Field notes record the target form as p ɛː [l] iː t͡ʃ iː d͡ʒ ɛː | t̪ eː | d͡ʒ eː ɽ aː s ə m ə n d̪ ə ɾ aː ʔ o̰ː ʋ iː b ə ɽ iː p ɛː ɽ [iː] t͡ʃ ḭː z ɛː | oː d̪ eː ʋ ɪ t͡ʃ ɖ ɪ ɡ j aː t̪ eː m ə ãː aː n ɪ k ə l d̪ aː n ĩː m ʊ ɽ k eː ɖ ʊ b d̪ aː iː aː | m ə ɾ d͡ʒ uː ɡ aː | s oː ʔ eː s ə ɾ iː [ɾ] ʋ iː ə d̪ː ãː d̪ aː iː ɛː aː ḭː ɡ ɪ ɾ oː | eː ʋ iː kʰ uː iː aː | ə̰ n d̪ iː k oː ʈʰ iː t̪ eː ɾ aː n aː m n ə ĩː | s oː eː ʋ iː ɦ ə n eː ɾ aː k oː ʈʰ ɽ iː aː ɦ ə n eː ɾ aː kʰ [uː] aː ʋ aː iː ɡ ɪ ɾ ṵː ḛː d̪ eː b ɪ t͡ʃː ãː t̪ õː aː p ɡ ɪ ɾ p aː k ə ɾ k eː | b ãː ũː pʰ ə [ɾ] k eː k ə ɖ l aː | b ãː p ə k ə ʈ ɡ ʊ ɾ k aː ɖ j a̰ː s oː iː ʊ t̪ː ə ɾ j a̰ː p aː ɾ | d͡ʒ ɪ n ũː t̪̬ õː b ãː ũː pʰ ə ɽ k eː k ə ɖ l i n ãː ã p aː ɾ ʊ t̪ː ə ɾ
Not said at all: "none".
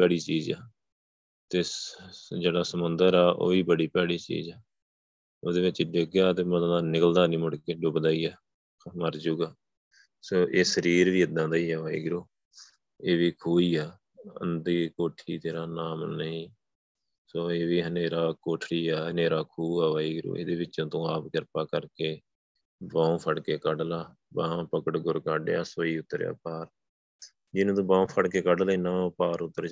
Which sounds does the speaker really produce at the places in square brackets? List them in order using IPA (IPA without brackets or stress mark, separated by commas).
ɽ, iː, ɾ, uː, ɽ